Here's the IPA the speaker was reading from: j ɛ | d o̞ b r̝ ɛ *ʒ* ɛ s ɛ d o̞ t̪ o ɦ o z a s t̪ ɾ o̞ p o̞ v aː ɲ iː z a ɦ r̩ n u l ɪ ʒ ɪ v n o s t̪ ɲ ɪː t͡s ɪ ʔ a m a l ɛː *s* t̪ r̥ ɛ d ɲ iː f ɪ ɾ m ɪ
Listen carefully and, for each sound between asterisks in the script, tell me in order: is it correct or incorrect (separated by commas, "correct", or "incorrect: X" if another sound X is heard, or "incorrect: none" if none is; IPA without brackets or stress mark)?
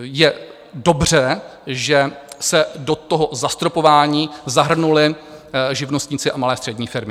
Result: correct, correct